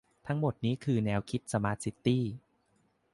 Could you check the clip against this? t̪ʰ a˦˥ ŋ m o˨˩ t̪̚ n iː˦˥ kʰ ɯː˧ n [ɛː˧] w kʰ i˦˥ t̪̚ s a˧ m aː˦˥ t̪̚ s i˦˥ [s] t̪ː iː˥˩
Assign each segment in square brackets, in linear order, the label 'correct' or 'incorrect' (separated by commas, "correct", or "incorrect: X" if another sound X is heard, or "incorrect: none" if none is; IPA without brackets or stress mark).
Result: correct, incorrect: none